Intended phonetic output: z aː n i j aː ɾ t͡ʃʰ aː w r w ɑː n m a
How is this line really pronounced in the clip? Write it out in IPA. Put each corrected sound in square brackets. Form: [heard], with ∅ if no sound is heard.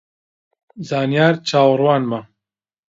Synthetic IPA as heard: z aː n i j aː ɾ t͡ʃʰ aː w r w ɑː n m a